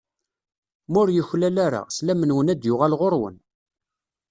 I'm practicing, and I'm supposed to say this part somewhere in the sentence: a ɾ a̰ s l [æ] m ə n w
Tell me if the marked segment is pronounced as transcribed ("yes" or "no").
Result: yes